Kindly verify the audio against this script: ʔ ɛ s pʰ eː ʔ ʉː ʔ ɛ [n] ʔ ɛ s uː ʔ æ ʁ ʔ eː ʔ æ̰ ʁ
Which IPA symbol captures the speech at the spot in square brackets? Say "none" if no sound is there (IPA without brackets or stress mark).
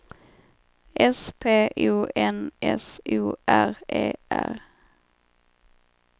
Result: n